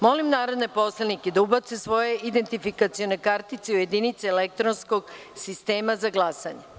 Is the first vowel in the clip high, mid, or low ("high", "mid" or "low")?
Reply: mid